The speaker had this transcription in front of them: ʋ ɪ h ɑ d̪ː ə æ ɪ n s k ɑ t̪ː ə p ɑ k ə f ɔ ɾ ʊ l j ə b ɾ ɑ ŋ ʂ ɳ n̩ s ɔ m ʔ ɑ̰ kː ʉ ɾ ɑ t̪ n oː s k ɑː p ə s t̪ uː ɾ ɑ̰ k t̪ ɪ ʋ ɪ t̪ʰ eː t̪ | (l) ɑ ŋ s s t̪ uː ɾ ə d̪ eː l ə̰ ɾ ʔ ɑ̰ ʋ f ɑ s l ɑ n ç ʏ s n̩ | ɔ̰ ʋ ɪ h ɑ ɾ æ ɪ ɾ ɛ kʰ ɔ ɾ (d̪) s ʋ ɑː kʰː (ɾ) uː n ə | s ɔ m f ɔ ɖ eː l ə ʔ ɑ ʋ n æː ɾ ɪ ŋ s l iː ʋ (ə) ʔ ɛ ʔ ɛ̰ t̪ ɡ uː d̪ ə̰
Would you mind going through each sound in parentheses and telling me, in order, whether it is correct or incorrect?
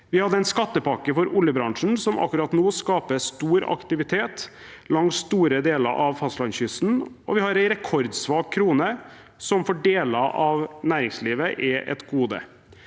correct, correct, correct, correct

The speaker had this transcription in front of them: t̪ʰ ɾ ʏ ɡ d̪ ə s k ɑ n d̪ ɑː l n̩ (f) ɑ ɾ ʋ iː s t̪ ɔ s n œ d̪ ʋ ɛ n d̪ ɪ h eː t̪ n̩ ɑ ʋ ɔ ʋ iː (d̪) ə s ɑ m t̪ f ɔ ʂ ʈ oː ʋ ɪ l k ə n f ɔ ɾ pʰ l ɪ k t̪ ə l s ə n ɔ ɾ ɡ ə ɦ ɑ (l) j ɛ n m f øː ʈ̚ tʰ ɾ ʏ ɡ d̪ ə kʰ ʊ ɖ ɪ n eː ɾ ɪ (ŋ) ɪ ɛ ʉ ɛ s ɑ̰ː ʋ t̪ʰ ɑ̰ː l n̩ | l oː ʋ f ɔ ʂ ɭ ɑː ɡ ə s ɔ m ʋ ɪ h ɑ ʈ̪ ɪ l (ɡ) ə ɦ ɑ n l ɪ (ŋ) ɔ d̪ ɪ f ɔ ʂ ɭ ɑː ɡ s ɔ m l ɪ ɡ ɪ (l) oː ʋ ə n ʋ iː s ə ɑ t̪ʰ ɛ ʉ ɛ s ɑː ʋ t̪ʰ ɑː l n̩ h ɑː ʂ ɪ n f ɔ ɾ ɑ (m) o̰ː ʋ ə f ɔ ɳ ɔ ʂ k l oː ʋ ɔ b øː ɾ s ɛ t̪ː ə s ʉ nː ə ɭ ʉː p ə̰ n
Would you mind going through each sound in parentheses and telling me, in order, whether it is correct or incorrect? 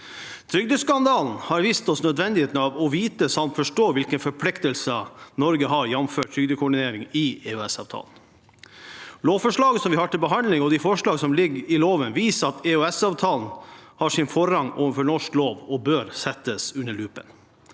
incorrect: h, incorrect: t̪, incorrect: ɾ, correct, incorrect: b, correct, correct, incorrect: ŋ

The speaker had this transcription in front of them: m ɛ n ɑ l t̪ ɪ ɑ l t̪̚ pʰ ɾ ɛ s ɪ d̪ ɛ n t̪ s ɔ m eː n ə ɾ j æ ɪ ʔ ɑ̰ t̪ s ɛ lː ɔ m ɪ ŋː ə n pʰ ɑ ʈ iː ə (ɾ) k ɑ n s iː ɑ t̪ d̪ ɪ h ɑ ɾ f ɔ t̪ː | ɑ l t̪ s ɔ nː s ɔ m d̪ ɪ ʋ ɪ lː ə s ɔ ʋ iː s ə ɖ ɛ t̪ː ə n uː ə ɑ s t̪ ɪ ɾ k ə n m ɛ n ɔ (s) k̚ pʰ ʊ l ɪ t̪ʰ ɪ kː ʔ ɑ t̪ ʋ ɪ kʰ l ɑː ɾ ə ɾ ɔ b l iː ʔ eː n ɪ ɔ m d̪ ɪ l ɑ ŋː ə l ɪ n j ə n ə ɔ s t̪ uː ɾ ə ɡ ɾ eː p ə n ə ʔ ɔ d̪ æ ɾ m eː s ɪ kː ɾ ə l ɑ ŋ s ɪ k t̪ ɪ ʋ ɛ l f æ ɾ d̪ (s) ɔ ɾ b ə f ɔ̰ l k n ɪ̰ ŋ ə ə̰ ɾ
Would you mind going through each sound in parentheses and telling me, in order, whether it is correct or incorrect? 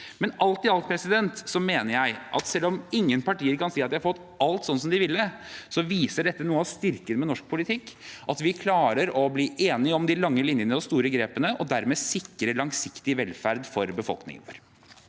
correct, incorrect: ʂ, incorrect: f

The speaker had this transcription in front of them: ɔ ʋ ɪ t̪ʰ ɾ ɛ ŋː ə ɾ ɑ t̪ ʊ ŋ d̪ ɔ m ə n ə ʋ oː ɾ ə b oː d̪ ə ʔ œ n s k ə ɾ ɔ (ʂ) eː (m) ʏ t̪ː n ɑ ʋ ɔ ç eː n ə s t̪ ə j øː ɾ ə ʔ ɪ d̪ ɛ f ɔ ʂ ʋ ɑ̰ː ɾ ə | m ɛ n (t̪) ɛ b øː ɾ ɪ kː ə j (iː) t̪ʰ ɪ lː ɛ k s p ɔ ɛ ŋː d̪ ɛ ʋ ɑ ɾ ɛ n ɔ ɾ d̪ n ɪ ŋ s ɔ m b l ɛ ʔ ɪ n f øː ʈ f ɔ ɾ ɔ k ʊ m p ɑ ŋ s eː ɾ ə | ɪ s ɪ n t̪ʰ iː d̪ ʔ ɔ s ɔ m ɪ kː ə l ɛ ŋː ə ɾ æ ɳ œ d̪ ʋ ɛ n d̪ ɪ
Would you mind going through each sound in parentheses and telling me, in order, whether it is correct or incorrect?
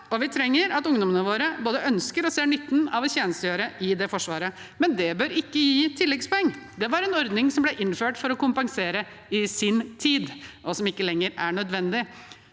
incorrect: s, incorrect: ɳ, incorrect: d̪, correct

